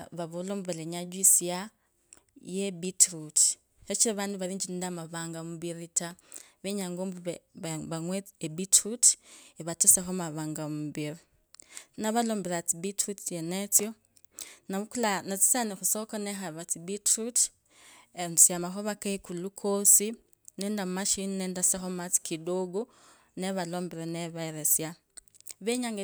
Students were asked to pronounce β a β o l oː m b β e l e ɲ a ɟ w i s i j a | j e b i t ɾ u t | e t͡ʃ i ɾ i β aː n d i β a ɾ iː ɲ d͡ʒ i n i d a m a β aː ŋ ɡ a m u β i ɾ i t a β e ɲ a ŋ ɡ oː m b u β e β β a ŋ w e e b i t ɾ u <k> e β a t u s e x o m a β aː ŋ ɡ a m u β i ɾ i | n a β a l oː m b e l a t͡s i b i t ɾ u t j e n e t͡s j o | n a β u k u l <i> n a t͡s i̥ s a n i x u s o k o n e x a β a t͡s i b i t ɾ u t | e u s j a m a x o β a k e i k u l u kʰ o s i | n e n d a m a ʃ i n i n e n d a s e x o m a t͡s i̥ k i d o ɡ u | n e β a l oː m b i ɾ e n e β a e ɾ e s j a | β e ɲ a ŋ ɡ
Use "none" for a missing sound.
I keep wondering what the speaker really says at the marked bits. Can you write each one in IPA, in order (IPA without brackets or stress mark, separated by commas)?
t, a